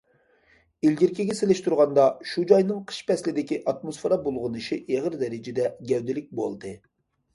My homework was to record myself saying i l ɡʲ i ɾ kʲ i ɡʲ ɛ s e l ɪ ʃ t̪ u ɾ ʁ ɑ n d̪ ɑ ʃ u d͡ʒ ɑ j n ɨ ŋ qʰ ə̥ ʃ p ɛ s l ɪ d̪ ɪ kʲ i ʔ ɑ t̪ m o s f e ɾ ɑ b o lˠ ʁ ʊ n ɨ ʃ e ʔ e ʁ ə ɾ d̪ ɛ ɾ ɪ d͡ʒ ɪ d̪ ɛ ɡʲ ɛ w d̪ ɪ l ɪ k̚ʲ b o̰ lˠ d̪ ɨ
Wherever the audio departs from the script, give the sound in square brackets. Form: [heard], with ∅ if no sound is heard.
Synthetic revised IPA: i l ɡʲ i ɾ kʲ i ɡʲ ɛ s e l ɪ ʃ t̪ u ɾ ʁ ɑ n d̪ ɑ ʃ u d͡ʒ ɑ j n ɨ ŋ qʰ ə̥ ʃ p ɛ s l ɪ d̪ ɪ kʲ i ʔ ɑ t̪ m o s f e ɾ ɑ b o lˠ ʁ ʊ n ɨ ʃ [i] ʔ e ʁ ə ɾ d̪ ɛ ɾ ɪ d͡ʒ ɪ d̪ ɛ ɡʲ ɛ w d̪ ɪ l ɪ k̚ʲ b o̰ lˠ d̪ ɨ